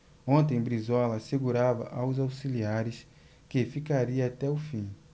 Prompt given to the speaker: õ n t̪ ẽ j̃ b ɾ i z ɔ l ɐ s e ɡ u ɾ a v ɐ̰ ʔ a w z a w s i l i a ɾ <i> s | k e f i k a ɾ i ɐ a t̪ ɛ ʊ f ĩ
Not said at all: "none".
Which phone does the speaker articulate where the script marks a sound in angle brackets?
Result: ɪ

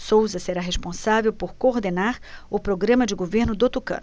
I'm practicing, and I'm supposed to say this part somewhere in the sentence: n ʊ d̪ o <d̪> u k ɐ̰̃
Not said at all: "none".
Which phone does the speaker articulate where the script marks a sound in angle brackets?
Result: t̪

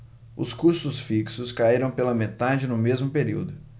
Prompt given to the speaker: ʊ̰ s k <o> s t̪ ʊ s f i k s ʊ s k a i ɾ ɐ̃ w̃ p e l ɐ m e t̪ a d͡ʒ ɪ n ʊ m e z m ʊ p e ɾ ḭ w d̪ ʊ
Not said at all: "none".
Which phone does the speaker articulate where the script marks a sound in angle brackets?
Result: u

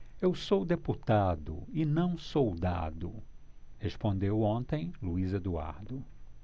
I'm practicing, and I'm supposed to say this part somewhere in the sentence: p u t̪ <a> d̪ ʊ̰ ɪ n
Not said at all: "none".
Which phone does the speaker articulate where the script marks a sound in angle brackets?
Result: a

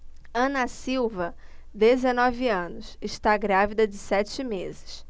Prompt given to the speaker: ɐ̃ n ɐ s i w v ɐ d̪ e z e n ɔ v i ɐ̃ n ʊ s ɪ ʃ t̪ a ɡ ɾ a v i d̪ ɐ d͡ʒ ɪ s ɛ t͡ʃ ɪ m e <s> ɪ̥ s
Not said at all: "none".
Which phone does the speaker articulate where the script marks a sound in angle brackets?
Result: z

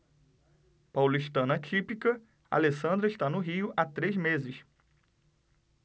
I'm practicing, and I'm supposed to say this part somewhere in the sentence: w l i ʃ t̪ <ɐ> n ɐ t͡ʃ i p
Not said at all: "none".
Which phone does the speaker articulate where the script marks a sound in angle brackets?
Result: ɐ̃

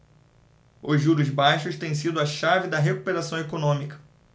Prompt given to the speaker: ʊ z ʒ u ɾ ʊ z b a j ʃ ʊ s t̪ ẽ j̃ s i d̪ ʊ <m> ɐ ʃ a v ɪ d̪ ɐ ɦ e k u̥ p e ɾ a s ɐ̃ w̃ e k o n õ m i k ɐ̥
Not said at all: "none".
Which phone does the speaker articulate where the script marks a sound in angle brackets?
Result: none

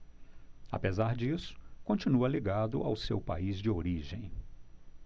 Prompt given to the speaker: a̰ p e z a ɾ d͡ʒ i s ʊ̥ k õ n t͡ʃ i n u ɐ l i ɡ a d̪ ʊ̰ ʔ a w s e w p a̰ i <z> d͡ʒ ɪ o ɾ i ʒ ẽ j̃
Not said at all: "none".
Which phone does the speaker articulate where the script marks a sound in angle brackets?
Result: z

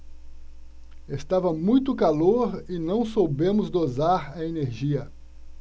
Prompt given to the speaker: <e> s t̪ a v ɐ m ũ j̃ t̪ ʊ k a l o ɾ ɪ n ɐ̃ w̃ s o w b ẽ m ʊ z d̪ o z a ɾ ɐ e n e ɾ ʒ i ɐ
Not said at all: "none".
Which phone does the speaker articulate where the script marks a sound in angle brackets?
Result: e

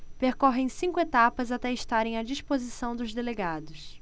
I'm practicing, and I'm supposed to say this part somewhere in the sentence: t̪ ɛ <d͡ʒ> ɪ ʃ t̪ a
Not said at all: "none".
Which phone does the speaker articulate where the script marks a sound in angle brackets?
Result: none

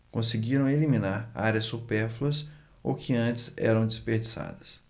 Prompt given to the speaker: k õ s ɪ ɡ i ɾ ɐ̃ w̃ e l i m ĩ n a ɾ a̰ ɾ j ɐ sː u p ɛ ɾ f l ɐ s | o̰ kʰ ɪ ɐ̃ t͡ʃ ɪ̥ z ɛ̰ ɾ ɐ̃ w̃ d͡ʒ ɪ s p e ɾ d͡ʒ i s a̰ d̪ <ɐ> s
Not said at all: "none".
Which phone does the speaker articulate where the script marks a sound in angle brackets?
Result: ɐ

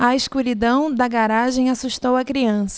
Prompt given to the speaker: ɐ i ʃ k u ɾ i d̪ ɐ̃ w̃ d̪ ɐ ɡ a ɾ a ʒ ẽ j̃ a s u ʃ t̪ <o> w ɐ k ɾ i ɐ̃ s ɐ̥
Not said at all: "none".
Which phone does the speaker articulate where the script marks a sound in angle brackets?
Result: o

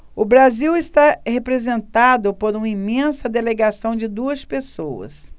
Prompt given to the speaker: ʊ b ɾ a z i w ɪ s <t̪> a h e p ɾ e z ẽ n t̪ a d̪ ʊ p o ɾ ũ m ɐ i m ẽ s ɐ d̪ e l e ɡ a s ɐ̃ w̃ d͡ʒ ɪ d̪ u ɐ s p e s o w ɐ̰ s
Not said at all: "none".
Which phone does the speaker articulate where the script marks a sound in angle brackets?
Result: t̪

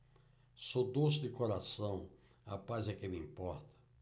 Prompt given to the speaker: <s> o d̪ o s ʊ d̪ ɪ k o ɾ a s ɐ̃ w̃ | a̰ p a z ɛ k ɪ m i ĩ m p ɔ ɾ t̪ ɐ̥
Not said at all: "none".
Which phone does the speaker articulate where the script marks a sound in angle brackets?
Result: s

